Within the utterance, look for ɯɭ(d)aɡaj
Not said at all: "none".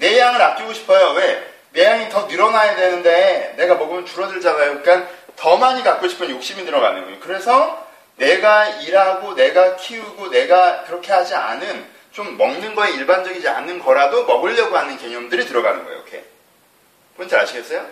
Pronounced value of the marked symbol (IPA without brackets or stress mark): d͡ʑ